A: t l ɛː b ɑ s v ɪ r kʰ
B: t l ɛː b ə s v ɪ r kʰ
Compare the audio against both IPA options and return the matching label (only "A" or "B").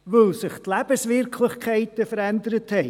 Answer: B